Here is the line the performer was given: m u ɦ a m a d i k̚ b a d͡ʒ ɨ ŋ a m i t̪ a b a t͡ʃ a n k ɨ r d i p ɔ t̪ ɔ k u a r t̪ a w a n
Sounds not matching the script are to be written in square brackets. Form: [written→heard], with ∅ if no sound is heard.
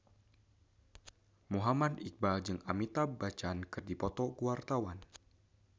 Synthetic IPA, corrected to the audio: m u ɦ a m a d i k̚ b a d͡ʒ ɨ ŋ a m i t̪ a b a t͡ʃ a n k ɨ r d i p ɔ t̪ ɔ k u a r t̪ a w a n